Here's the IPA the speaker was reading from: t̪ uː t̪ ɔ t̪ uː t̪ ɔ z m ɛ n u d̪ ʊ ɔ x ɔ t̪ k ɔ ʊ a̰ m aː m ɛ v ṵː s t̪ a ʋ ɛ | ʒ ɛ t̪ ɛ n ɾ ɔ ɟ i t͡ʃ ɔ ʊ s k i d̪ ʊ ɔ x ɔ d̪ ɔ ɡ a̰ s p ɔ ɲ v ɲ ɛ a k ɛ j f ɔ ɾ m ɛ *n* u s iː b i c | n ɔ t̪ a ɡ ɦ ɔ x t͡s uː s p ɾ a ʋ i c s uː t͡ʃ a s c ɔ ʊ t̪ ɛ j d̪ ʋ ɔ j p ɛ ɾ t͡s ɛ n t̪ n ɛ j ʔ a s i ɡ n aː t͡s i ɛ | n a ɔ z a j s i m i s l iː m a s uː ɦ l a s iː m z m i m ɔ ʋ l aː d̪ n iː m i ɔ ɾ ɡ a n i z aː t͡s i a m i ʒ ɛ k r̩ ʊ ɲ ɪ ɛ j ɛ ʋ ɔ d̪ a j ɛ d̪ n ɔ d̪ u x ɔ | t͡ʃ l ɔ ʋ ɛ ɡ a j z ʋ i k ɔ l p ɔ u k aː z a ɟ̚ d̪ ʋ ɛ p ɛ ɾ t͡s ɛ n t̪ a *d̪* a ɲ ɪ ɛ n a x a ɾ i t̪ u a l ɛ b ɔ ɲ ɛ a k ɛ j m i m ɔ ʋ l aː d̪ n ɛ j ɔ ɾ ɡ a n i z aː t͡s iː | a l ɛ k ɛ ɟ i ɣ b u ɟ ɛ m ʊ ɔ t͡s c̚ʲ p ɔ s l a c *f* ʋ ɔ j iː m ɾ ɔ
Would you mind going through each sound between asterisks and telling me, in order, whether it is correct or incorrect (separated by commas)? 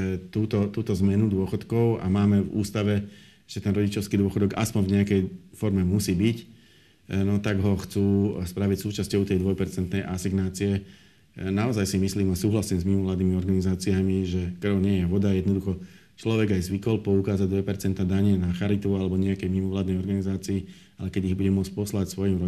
incorrect, correct, incorrect